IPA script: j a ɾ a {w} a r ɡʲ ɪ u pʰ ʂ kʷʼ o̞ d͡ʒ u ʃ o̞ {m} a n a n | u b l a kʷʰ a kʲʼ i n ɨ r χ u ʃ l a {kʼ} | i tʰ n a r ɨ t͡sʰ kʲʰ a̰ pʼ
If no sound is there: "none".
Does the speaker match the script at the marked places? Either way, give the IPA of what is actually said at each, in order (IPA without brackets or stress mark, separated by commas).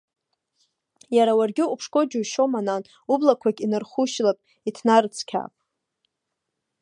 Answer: w, m, pʼ